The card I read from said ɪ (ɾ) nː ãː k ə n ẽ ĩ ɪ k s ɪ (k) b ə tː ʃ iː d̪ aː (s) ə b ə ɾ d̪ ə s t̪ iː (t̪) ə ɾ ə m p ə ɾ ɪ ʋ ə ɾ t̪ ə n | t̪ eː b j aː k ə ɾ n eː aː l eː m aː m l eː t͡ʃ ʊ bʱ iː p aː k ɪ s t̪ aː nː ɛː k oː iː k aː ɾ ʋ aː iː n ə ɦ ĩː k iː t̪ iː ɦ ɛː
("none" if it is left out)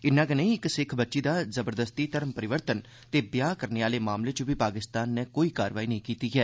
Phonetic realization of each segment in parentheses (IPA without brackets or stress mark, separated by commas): none, kʰ, z, t̪